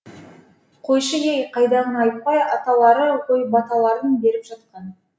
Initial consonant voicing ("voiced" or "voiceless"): voiceless